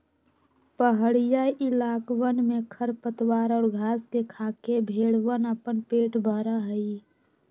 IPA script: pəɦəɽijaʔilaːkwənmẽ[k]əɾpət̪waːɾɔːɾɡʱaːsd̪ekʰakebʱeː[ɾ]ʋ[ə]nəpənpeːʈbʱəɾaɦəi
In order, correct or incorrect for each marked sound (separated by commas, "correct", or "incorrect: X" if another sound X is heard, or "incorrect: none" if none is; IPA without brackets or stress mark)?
incorrect: kʰ, incorrect: ɽ, correct